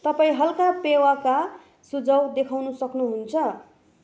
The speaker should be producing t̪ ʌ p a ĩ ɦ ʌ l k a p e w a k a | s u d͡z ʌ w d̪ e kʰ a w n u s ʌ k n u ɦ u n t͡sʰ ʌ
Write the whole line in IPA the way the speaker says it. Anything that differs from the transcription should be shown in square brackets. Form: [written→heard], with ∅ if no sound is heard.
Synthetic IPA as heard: t̪ ʌ p a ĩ ɦ ʌ l k a p e w a k a | s u d͡z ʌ w d̪ e kʰ a w n u s ʌ k n u ɦ u n t͡sʰ ʌ